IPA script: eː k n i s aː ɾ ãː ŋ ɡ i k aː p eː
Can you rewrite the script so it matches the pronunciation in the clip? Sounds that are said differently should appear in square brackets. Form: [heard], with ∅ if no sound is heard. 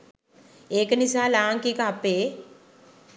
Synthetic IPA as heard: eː k n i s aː [l] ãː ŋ [k] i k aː p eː